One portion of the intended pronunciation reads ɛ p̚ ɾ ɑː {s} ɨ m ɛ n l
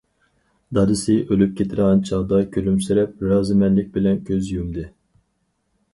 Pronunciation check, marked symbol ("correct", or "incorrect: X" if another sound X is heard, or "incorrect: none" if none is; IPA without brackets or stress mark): incorrect: z